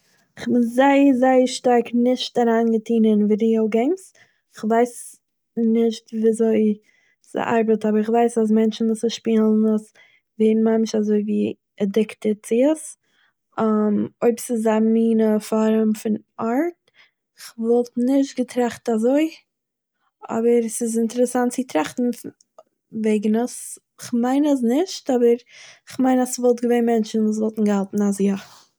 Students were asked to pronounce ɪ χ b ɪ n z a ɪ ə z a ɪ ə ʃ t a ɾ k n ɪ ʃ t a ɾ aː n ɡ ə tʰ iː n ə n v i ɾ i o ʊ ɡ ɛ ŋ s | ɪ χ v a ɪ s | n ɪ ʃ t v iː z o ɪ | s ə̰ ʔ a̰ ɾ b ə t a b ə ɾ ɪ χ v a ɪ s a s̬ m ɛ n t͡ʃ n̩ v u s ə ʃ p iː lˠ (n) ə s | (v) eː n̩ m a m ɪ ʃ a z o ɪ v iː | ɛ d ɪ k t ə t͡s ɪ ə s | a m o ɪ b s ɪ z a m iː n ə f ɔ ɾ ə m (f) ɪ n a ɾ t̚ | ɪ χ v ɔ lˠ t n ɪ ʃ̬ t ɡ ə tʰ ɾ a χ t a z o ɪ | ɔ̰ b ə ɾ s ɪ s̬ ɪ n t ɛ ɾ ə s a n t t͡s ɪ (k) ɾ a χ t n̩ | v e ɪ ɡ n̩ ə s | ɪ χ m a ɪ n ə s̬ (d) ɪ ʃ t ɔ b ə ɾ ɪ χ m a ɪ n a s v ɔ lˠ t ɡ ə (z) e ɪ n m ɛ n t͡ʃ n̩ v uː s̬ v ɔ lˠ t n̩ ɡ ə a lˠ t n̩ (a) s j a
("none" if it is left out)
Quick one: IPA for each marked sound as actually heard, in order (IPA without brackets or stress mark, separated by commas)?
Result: n, v, f, t, n, v, a